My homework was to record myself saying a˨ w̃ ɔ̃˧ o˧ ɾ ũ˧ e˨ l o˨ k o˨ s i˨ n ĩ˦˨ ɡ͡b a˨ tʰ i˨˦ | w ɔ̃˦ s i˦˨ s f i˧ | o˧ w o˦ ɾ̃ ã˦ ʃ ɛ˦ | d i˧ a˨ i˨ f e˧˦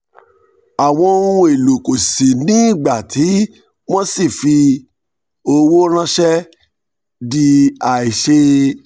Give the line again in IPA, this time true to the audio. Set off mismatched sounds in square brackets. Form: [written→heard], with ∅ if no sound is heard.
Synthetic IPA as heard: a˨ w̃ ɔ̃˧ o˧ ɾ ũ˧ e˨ l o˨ k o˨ s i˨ n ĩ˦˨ ɡ͡b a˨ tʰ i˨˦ | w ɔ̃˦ s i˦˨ [s→∅] f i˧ | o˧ w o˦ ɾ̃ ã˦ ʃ ɛ˦ | d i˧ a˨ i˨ [f→ʃ] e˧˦